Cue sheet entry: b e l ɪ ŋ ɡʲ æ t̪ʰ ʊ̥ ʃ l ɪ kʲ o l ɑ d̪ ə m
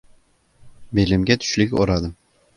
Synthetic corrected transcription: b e l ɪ m ɡʲ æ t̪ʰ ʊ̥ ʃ l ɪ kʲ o ɾ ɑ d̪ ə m

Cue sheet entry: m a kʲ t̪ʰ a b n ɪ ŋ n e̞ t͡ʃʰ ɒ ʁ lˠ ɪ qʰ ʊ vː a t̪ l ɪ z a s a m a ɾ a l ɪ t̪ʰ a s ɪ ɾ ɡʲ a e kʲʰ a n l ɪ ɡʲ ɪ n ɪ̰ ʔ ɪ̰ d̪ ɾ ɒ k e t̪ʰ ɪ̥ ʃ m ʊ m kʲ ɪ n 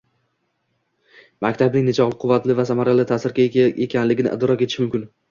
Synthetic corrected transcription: m a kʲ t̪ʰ a b n ɪ ŋ n e̞ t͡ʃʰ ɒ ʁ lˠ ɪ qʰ ʊ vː a t̪ l ɪ v a s a m a ɾ a l ɪ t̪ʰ a s ɪ ɾ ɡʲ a e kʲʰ a n l ɪ ɡʲ ɪ n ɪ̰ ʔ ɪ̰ d̪ ɾ ɒ k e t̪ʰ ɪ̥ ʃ m ʊ m kʲ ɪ n

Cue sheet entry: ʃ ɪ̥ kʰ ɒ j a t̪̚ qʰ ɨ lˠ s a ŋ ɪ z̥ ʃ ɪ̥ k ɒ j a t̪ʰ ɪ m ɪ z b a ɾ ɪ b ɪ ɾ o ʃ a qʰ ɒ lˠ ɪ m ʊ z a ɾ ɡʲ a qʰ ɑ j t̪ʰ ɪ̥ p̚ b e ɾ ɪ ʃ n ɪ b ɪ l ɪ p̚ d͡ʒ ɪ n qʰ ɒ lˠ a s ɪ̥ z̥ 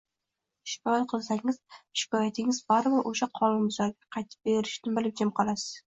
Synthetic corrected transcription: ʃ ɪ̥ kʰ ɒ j a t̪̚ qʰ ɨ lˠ s a ŋ ɪ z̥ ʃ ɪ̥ k ɒ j a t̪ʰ ɪ ŋ ɪ z b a ɾ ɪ b ɪ ɾ o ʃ a qʰ ɒ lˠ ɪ m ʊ z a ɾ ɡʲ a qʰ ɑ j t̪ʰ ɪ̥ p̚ b e ɾ ɪ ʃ n ɪ b ɪ l ɪ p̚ d͡ʒ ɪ m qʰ ɒ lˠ a s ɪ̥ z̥

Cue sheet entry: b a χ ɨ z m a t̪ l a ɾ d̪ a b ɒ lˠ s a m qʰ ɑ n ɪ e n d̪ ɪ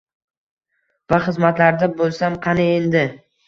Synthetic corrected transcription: v a χ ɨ z m a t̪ l a ɾ d̪ a b o lˠ s a m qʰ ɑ n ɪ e n d̪ ɪ

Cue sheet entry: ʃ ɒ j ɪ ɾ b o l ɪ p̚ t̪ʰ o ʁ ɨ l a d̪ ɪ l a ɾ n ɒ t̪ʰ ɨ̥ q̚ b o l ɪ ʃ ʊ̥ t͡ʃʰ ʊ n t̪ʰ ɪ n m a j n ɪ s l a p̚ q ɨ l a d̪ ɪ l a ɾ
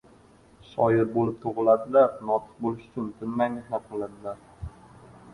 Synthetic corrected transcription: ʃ ɒ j ɪ ɾ b o l ɪ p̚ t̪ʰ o ʁ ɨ l a d̪ ɪ l a ɾ n ɒ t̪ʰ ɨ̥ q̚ b o l ɪ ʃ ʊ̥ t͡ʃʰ ʊ n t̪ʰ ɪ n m a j n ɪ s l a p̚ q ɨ l a d̪ ɪ l a ɾ

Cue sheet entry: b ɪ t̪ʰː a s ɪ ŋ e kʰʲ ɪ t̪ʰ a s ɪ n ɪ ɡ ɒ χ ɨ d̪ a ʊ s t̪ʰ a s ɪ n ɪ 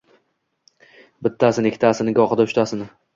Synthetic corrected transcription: b ɪ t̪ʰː a s ɪ n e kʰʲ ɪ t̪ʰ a s ɪ n ɪ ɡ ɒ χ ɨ d̪ a ʊ ʃ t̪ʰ a s ɪ n ɪ

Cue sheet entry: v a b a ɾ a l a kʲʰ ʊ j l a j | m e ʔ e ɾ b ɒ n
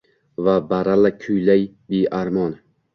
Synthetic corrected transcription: v a b a ɾ a l a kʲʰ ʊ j l a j | b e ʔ a ɾ m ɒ n

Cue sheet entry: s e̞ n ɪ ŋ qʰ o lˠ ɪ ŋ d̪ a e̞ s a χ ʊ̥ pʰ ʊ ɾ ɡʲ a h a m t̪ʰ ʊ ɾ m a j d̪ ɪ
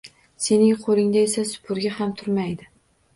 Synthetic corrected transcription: s e̞ n ɪ ŋ qʰ o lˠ ɪ ŋ d̪ a e̞ s a s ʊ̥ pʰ ʊ ɾ ɡʲ a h a m t̪ʰ ʊ ɾ m a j d̪ ɪ

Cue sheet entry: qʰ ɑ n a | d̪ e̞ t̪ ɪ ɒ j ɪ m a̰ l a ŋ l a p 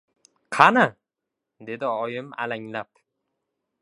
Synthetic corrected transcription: qʰ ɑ n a | d̪ e̞ d̪ ɪ ɒ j ɪ m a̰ l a ŋ l a p

